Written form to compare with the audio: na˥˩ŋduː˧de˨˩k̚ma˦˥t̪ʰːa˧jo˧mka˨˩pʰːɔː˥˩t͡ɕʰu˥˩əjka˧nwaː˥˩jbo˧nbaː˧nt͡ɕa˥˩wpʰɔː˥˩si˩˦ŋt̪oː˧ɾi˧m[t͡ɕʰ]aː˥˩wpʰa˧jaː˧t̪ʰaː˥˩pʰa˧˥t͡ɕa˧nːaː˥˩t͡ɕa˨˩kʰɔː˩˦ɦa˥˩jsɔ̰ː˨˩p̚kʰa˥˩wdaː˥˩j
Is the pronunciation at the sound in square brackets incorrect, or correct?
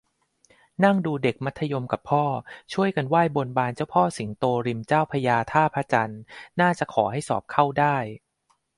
incorrect